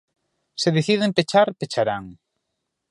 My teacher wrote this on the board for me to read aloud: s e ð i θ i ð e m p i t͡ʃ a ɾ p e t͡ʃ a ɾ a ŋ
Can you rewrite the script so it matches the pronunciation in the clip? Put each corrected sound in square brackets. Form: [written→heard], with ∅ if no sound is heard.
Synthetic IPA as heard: s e ð [i→e] θ i ð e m p [i→e] t͡ʃ a ɾ p e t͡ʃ a ɾ a ŋ